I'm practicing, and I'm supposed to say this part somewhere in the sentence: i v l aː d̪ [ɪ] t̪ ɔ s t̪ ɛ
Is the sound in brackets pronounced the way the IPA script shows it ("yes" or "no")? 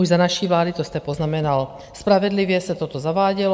no